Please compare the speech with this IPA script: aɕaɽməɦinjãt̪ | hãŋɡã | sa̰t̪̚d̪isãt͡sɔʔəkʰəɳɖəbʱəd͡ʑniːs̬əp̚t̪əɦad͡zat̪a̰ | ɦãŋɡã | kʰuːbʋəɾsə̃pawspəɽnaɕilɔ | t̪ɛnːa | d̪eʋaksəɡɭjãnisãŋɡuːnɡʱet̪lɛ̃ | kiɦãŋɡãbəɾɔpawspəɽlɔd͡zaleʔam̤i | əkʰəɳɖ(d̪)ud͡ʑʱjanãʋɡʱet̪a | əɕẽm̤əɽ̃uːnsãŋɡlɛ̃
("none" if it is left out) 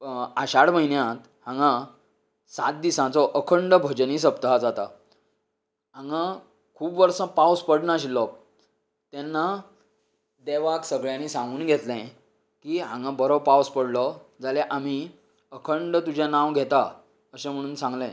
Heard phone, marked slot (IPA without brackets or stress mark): t̪